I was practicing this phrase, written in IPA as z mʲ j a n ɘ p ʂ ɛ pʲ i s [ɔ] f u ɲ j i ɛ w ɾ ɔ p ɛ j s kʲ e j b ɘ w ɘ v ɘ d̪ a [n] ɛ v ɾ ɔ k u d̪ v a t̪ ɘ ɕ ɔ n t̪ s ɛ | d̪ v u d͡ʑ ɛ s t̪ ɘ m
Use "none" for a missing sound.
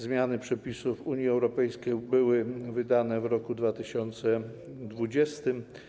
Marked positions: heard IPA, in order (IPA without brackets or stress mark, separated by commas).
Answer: u, n